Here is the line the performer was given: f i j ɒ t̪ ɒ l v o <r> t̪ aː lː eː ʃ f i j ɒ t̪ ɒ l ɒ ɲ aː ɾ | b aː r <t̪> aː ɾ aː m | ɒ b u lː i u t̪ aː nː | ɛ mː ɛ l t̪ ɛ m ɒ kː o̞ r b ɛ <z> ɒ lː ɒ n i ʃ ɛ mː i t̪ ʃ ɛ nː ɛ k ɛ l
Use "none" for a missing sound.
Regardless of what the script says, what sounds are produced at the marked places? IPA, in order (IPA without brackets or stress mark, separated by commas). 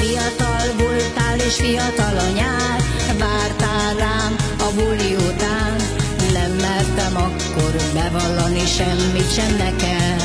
l, t̪, v